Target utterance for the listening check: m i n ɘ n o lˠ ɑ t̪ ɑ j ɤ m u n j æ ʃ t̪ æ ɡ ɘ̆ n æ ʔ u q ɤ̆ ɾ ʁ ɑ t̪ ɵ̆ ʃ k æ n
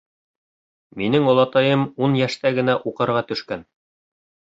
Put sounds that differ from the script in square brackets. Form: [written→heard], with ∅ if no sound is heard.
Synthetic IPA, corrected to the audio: m i n ɘ [n→ŋ] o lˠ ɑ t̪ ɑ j ɤ m u n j æ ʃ t̪ æ ɡ ɘ̆ n æ ʔ u q ɤ̆ ɾ ʁ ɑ t̪ ɵ̆ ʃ k æ n